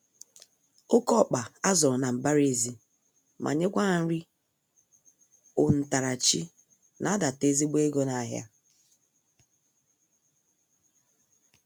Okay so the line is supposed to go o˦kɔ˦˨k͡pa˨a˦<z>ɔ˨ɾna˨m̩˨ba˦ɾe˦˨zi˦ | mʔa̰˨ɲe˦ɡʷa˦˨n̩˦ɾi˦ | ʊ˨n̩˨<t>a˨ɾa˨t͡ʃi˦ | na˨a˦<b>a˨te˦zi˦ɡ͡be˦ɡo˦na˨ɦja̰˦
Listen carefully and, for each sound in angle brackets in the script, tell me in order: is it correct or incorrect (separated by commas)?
correct, correct, incorrect